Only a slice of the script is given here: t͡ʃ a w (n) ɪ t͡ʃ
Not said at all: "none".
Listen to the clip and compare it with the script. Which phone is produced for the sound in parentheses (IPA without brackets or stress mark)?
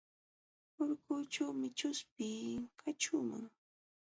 m